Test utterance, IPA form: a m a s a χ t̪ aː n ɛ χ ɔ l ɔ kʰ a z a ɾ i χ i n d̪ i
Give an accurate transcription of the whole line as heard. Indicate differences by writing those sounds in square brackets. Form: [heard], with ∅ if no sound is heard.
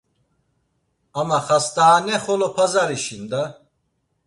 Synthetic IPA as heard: a m a [χ] a [s] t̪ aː n ɛ χ ɔ l ɔ [pʰ] a z a ɾ i [ʃ] i n d̪ [a]

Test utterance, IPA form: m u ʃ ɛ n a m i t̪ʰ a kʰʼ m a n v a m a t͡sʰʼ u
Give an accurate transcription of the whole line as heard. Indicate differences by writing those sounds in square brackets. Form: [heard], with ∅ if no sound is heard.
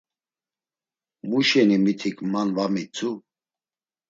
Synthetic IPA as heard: m u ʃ ɛ n [i] m i t̪ʰ [i] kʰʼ m a n v a m [i] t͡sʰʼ u

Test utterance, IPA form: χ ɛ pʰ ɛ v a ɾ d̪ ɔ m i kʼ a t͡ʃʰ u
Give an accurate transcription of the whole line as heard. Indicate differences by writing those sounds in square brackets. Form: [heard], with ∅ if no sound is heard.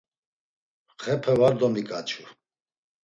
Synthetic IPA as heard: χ ɛ pʰ ɛ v a ɾ d̪ ɔ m i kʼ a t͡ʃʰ u

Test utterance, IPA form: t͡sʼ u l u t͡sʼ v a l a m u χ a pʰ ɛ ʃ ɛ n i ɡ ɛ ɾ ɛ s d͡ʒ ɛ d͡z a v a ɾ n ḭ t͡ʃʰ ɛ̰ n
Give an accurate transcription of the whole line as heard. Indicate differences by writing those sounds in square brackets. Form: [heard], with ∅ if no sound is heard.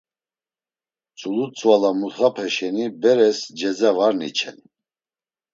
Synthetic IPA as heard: t͡sʼ u l u t͡sʼ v a l a m u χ a pʰ ɛ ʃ ɛ n i [b] ɛ ɾ ɛ s d͡ʒ ɛ d͡z a v a ɾ n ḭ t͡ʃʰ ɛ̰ n

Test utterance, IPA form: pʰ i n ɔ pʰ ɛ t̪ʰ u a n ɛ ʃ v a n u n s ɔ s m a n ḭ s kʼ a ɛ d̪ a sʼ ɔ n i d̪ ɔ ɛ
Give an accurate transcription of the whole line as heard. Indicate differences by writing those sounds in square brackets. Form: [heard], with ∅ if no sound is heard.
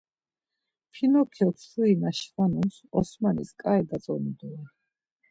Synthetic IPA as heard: pʰ i n ɔ [kʰ] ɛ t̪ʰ u [i] n [a] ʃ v a n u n s ɔ s m a n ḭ s kʼ a ɛ d̪ a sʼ ɔ n i d̪ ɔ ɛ

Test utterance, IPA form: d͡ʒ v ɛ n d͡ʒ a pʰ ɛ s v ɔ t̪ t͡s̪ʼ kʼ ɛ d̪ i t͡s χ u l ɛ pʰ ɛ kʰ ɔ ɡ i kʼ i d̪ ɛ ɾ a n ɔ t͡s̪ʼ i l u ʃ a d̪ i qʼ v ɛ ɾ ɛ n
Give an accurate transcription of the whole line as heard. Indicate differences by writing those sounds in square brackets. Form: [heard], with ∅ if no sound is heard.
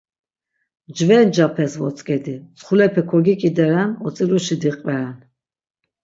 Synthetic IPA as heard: d͡ʒ v ɛ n d͡ʒ a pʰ ɛ s v ɔ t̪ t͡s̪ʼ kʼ ɛ d̪ i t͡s χ u l ɛ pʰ ɛ kʰ ɔ ɡ i kʼ i d̪ ɛ ɾ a n ɔ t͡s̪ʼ i l u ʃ [i] d̪ i qʼ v ɛ ɾ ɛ n

